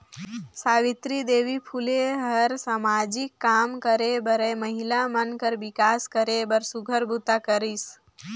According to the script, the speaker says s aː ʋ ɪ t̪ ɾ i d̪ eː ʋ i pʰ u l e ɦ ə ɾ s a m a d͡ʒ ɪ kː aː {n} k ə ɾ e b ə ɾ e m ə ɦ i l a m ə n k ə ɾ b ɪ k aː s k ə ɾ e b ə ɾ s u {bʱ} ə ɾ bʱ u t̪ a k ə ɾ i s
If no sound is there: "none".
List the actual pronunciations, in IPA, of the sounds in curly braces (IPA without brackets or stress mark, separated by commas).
m, ɡʱ